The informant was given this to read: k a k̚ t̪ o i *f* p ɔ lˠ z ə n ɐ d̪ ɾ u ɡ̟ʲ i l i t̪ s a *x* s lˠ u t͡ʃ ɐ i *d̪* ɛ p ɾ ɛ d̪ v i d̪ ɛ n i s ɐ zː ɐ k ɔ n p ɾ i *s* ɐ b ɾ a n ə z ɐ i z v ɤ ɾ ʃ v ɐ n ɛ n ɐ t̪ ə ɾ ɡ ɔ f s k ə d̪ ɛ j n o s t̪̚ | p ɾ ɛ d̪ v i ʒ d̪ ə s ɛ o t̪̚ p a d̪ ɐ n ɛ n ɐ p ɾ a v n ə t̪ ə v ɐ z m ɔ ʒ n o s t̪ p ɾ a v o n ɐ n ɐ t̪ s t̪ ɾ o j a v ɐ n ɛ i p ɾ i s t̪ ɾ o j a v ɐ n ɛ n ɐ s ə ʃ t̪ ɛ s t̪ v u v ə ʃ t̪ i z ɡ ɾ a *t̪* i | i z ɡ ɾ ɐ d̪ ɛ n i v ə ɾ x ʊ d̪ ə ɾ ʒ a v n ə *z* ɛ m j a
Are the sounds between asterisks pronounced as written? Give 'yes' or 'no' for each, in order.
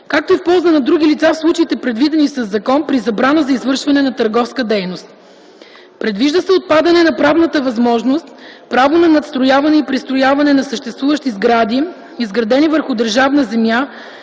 yes, no, no, no, no, yes

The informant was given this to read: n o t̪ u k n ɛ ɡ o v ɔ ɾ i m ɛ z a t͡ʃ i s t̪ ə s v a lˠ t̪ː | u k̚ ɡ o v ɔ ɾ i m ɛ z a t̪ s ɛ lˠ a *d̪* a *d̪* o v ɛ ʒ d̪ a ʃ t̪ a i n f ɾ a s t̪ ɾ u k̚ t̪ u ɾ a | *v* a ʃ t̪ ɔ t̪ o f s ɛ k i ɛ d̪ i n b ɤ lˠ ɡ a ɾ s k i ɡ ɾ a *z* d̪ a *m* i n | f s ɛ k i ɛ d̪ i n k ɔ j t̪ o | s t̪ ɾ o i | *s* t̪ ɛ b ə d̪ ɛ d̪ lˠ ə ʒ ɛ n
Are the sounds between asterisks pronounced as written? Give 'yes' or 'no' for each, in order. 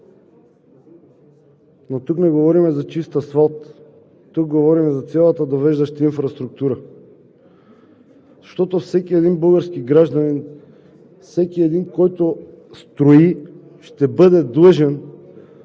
no, yes, no, no, no, no

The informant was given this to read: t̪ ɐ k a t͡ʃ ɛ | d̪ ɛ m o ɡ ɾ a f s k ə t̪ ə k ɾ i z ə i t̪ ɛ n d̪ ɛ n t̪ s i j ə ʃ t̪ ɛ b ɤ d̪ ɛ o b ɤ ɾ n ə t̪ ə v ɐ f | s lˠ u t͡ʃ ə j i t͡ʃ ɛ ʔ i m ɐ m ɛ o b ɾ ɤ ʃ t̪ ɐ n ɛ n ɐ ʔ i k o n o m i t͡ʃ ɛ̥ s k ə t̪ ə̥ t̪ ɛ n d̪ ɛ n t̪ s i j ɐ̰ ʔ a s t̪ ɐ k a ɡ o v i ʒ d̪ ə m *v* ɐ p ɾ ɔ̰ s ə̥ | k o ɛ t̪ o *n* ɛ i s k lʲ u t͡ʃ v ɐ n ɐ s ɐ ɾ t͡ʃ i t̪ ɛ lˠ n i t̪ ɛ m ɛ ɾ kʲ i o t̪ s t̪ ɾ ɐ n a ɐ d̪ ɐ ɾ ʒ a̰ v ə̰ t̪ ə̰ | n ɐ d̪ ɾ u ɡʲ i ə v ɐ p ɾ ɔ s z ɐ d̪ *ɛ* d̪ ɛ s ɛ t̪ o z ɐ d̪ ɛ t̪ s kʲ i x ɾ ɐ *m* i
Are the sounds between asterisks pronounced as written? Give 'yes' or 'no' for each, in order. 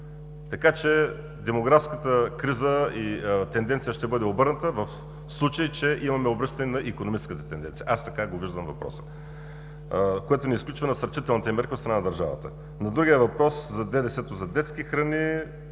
yes, yes, yes, no

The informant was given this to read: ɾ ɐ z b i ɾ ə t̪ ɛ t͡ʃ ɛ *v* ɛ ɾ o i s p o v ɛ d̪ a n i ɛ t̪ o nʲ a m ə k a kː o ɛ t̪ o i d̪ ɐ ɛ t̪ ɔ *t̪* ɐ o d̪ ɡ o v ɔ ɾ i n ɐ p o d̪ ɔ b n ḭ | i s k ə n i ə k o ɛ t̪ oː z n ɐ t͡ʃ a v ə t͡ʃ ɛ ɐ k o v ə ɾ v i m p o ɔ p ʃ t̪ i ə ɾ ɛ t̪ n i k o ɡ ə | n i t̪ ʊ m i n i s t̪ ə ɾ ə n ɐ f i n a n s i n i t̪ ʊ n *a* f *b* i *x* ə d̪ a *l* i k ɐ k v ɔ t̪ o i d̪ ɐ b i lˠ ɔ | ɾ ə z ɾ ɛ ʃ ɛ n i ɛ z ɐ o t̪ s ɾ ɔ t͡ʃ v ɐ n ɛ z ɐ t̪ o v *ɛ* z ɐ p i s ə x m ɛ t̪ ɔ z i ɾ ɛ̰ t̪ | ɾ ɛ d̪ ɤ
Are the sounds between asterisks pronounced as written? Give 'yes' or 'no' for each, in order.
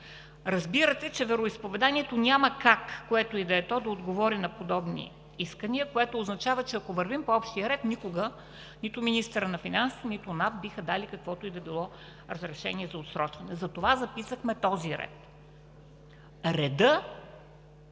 yes, no, yes, yes, yes, yes, no

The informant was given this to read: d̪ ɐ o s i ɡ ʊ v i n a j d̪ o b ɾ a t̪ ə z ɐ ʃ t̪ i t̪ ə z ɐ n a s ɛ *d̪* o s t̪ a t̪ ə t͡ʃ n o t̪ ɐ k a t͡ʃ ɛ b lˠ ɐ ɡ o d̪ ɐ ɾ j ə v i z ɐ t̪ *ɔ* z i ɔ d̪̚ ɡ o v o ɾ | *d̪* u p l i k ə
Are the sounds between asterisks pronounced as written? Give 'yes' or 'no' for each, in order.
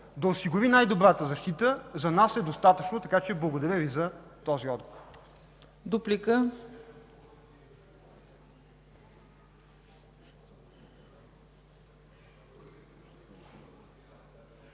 yes, yes, yes

